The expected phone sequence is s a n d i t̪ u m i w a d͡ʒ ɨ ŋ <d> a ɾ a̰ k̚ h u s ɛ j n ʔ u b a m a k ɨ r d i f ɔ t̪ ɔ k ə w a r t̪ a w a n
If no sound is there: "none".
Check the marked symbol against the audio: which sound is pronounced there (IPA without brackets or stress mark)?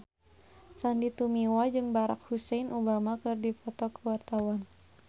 b